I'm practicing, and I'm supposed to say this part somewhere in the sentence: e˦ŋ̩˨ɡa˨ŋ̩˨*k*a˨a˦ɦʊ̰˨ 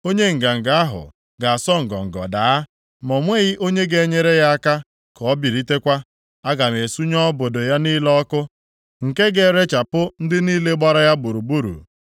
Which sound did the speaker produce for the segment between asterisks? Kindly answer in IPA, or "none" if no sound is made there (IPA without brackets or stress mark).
ɡ